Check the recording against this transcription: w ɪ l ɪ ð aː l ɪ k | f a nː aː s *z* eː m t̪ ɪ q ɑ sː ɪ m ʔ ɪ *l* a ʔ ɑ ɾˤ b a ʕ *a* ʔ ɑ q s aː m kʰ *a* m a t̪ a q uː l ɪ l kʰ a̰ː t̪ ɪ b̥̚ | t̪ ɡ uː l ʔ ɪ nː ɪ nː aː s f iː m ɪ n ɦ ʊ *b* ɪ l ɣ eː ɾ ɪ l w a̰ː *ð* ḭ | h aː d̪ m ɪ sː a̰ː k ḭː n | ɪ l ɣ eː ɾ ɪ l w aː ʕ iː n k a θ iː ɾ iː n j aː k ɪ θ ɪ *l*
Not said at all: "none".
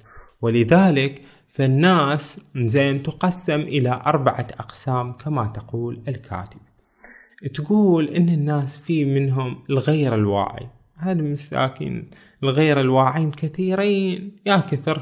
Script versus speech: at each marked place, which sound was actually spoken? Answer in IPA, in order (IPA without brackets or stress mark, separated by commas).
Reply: z, l, a, a, m, ʕ, ɾ